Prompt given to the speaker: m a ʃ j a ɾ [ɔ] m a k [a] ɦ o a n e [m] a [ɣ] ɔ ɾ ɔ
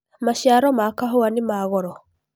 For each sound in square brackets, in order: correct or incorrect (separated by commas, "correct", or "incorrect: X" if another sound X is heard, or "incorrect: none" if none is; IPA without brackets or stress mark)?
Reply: correct, correct, correct, correct